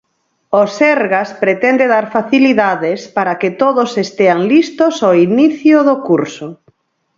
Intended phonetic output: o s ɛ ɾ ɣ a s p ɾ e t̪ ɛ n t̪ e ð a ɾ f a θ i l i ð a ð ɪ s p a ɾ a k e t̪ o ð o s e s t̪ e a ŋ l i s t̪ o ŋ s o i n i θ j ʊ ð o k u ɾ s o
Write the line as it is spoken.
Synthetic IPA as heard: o s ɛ ɾ ɣ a s p ɾ e t̪ ɛ n d̪ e ð a ɾ f a θ i l i ð a ð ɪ s p a ɾ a k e t̪ o ð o s e s t̪ e a ŋ l i s t̪ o s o i n i θ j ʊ ð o k u ɾ s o